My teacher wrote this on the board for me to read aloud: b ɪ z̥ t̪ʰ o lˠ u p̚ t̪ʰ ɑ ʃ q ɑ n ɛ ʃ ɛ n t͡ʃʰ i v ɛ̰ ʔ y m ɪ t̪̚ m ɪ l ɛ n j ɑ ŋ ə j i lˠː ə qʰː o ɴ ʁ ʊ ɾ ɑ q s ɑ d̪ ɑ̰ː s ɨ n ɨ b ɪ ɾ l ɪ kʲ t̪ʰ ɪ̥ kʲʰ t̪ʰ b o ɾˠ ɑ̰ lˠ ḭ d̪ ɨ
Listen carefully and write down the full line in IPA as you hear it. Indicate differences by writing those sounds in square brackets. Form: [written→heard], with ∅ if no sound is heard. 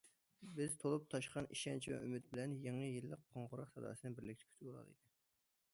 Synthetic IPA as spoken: b ɪ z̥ t̪ʰ o lˠ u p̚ t̪ʰ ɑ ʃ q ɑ n [ɛ→i] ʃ ɛ n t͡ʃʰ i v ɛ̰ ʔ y m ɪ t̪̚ [m→b] ɪ l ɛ n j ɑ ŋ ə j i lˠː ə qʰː o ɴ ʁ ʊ ɾ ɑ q s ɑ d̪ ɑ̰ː s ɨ n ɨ b ɪ ɾ l ɪ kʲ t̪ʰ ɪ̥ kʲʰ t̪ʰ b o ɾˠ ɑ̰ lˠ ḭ d̪ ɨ